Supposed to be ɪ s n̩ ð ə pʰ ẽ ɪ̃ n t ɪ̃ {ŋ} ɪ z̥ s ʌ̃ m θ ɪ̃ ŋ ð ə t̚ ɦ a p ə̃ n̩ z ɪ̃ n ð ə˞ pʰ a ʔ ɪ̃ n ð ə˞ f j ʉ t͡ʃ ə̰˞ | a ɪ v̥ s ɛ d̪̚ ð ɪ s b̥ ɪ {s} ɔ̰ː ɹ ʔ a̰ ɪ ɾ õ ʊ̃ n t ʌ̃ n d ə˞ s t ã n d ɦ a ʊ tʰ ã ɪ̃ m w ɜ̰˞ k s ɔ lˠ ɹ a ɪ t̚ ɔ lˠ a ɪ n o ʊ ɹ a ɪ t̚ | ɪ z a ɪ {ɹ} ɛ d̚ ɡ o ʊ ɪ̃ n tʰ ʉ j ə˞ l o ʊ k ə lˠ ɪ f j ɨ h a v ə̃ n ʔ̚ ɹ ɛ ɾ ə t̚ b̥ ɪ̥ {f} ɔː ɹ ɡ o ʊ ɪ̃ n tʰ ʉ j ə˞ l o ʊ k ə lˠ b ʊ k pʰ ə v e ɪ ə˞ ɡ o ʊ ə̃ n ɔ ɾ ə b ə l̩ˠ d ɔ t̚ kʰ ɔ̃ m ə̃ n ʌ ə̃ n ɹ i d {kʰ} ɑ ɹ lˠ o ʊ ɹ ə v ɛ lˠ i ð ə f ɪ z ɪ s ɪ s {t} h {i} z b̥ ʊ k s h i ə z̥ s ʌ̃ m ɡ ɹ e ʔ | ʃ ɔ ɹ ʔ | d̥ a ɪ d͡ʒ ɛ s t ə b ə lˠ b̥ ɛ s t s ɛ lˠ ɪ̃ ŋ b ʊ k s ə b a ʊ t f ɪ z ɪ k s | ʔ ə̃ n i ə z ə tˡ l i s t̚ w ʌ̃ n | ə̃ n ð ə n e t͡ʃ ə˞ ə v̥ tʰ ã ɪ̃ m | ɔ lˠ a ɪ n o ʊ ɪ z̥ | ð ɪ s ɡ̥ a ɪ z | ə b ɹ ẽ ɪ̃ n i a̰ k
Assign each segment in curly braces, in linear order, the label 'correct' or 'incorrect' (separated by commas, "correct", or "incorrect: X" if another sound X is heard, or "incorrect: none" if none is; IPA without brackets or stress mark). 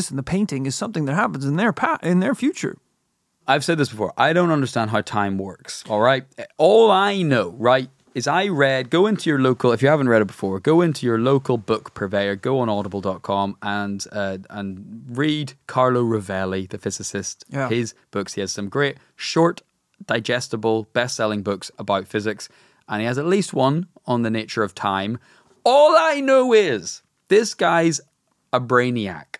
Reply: correct, incorrect: f, correct, correct, correct, correct, incorrect: ɪ